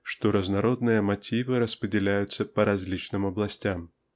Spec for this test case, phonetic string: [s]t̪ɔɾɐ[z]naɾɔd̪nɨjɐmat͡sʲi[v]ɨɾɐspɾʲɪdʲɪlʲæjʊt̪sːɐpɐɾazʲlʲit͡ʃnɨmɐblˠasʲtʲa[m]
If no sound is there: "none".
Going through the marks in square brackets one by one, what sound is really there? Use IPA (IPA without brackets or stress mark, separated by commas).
ʂ, z, v, m